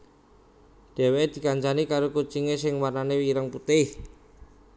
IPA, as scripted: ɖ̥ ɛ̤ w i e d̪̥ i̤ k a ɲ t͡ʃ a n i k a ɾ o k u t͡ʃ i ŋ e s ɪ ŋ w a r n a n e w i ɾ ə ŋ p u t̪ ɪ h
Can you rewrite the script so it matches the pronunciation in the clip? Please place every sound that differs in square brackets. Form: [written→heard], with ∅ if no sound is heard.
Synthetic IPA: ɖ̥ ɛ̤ w [i→e] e d̪̥ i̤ k a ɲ t͡ʃ a n i k a ɾ o k u t͡ʃ i ŋ e s ɪ ŋ w a r n a n e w i ɾ ə ŋ p u t̪ ɪ h